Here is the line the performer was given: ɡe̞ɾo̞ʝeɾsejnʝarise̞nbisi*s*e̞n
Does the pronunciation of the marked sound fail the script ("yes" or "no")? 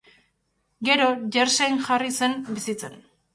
yes